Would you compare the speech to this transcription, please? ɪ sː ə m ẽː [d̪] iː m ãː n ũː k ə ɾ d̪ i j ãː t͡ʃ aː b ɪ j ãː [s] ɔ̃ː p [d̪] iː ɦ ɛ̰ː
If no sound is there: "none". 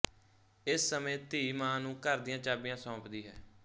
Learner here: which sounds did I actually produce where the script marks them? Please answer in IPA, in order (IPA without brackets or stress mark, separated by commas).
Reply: t̪, s, d̪